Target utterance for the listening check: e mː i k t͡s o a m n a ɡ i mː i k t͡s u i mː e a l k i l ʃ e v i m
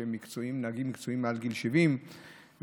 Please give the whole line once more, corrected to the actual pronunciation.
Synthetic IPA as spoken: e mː i k t͡s o i m n a ɡ i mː i k t͡s o i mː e a l ɡ i l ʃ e v i m